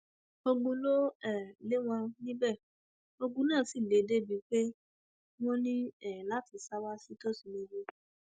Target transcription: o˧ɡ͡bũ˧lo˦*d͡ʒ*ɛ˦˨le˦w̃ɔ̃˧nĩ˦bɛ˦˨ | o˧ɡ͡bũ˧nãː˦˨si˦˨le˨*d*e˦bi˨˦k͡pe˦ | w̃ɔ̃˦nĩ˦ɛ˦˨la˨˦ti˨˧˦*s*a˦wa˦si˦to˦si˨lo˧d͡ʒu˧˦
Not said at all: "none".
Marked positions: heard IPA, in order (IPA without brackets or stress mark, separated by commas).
none, d, s